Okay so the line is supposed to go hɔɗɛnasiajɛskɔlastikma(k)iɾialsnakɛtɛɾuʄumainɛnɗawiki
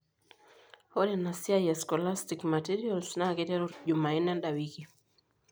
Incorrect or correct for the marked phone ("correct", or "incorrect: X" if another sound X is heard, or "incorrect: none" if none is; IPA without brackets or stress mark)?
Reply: incorrect: t